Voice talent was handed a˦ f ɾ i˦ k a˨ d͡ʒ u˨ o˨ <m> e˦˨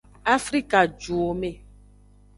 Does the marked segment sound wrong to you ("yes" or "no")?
no